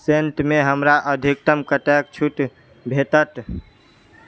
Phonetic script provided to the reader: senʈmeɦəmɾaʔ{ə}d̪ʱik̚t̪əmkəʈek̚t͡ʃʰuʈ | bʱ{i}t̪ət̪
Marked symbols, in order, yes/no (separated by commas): yes, no